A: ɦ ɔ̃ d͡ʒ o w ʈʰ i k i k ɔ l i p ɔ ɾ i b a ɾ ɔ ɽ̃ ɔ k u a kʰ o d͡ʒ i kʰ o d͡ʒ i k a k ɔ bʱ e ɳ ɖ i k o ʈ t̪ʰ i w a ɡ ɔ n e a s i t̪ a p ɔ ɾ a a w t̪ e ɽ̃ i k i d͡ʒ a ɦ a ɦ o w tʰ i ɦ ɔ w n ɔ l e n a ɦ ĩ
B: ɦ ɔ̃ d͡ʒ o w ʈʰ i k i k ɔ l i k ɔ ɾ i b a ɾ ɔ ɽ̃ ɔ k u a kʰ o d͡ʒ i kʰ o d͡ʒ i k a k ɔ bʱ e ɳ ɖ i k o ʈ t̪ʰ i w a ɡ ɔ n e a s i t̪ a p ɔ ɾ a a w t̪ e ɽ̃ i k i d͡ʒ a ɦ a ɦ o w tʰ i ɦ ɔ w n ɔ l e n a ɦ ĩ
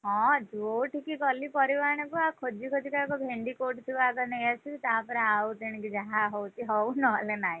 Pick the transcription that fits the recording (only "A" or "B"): A